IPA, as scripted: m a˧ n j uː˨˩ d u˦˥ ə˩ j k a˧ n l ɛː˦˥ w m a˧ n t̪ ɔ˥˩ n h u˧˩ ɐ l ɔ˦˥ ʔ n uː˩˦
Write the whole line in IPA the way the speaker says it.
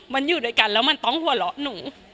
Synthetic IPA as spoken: m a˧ n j uː˨˩ d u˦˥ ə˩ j k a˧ n l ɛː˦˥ w m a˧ n t̪ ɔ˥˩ ŋ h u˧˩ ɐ l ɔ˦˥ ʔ n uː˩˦